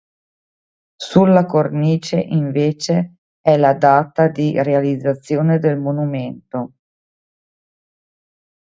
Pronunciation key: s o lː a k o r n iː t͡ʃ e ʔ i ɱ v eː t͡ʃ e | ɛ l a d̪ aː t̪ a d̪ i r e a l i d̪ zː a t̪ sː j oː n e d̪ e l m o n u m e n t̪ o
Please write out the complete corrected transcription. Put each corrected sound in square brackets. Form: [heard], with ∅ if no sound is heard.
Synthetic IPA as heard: s [u] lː a k o r n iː t͡ʃ e ʔ i ɱ v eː t͡ʃ e | ɛ l a d̪ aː t̪ a d̪ i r e a l i d̪ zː a t̪ sː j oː n e d̪ e l m o n u m e n t̪ o